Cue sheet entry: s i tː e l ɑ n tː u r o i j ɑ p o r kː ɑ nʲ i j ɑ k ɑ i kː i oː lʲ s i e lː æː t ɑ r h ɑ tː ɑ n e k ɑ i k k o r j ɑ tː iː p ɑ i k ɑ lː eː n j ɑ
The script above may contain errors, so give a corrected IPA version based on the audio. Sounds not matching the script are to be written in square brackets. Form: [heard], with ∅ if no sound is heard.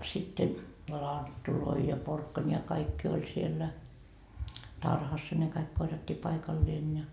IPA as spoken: s i tː e l ɑ n tː u [l] o i j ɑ p o r kː ɑ nʲ i j ɑ k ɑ i kː i [o] lʲ s i e lː [æ] t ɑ r h ɑ [sː] ɑ n e k ɑ i k k o r j ɑ tː iː p ɑ i k ɑ lː eː n j ɑ